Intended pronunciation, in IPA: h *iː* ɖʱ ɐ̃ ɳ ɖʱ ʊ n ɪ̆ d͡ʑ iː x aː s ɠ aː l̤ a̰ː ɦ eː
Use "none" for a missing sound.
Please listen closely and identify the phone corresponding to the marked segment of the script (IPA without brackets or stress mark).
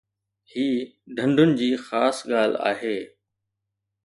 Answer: iː